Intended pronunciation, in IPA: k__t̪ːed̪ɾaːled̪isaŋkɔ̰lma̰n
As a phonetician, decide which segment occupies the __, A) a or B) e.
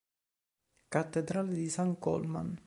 A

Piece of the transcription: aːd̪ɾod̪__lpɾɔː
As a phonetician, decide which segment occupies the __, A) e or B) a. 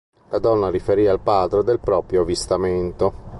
A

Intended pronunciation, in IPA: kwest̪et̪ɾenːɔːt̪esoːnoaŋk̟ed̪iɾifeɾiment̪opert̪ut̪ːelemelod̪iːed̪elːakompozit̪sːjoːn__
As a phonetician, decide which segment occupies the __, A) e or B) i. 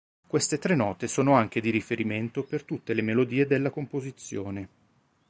A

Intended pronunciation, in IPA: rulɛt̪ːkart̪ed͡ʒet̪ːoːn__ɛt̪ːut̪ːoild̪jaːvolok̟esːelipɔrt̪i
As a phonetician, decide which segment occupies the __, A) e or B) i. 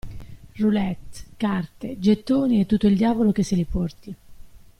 B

